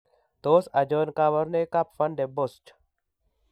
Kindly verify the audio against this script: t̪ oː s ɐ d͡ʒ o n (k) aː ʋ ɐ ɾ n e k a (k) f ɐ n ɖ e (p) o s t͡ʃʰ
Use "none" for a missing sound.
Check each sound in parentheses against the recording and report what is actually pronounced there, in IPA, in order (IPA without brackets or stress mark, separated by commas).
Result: k, p, b